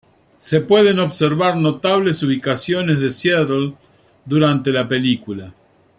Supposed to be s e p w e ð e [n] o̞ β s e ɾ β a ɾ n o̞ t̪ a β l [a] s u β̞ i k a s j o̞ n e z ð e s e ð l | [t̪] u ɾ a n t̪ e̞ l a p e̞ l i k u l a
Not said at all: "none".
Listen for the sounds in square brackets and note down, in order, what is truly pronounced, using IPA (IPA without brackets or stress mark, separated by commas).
n, e, d̪